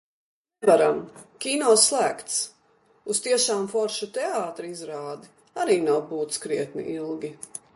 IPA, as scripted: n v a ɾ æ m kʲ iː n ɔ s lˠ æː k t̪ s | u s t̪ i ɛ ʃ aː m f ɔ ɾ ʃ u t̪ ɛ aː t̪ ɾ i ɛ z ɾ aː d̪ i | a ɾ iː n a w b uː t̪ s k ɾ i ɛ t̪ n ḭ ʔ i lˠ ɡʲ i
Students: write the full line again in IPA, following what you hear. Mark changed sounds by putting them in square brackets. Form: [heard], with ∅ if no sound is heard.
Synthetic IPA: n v a ɾ [a] m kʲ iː n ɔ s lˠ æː k t̪ s | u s t̪ i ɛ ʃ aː m f ɔ ɾ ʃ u t̪ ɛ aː t̪ ɾ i [i] z ɾ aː d̪ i | a ɾ iː n a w b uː t̪ s k ɾ i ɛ t̪ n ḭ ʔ i lˠ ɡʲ i

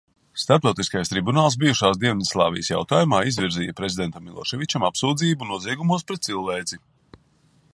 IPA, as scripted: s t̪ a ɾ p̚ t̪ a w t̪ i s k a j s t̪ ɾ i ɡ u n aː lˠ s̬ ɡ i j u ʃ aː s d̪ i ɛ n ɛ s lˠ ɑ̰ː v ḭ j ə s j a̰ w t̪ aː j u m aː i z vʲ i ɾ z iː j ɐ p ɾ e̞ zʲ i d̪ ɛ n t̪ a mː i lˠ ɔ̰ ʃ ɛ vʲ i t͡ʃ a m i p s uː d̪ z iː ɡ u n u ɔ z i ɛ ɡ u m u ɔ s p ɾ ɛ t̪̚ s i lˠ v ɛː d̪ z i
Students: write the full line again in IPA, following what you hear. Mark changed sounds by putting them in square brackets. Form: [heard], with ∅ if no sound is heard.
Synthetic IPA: s t̪ a ɾ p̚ t̪ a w t̪ i s k a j s t̪ ɾ i [b] u n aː lˠ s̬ [b] i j u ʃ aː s d̪ i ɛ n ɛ s lˠ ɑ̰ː v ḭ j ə s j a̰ w t̪ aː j u m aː i z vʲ i ɾ z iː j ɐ p ɾ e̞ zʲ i d̪ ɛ n t̪ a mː i lˠ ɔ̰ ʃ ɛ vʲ i t͡ʃ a m [a] p s uː d̪ z iː [b] u n u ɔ z i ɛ ɡ u m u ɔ s p ɾ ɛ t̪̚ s i lˠ v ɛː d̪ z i

